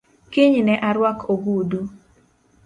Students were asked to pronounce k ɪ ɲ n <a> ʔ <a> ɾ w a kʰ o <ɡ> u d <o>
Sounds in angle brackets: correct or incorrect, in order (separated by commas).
incorrect, correct, correct, incorrect